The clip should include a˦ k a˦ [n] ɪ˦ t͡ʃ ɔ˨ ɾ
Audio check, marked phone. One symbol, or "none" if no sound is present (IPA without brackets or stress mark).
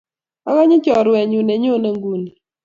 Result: ɲ